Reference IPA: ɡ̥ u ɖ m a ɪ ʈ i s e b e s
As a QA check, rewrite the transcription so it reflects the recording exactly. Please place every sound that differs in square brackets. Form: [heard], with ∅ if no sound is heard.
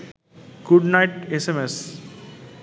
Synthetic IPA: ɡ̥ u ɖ [n] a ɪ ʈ [e] s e [m] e s